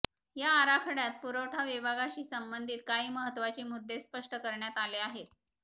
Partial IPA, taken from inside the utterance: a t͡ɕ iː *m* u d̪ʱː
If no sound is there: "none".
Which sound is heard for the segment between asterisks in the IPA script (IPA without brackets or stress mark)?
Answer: m